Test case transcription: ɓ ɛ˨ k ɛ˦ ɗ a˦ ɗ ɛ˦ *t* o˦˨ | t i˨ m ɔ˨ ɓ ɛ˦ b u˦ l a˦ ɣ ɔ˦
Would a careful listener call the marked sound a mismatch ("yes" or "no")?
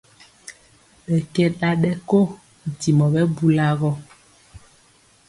yes